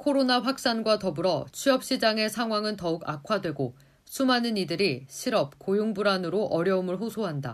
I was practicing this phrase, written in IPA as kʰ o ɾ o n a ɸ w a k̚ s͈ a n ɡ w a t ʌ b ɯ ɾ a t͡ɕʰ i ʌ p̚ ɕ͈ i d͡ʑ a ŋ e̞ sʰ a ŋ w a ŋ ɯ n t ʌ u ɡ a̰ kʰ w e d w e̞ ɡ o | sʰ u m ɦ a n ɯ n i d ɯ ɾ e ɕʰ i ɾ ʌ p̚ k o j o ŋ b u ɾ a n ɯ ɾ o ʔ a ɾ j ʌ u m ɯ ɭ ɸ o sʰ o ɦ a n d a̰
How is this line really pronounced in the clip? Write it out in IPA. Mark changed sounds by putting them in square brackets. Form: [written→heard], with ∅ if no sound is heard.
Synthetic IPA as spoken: kʰ o ɾ o n a ɸ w a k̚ s͈ a n ɡ w a t ʌ b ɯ ɾ [a→ʌ] t͡ɕʰ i ʌ p̚ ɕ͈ i d͡ʑ a ŋ e̞ sʰ a ŋ w a ŋ ɯ n t ʌ u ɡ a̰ kʰ w [e→a] d w e̞ ɡ o | sʰ u m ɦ a n ɯ n i d ɯ ɾ [e→i] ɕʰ i ɾ ʌ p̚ k o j o ŋ b u ɾ a n ɯ ɾ o ʔ [a→ʌ] ɾ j ʌ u m ɯ ɭ ɸ o sʰ o ɦ a n d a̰